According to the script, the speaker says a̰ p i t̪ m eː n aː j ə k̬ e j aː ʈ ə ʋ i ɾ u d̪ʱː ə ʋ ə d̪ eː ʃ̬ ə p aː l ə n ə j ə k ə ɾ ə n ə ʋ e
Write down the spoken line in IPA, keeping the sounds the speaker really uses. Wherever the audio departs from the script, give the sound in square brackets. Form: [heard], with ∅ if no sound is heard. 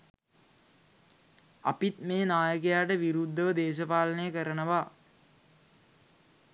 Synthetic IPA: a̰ p i t̪ m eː n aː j ə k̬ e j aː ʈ ə ʋ i ɾ u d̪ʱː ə ʋ ə d̪ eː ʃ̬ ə p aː l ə n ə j ə k ə ɾ ə n ə ʋ [a]